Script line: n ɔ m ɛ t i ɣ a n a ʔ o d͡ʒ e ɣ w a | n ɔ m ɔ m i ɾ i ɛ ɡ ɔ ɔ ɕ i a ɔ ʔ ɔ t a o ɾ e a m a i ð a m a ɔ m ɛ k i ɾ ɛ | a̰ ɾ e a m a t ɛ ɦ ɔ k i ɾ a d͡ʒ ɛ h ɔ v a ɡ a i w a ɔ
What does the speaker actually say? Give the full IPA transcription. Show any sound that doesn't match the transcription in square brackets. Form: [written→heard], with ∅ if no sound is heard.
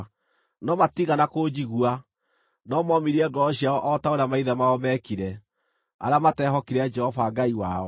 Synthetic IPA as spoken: n ɔ m [ɛ→a] t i ɣ a n a [ʔ→k] o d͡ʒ [e→i] ɣ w a | n ɔ m ɔ m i ɾ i ɛ ɡ ɔ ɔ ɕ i a ɔ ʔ ɔ t a o ɾ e a m a i ð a m a ɔ m ɛ k i ɾ ɛ | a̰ ɾ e a m a t ɛ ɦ ɔ k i ɾ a d͡ʒ ɛ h ɔ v a ɡ a i w a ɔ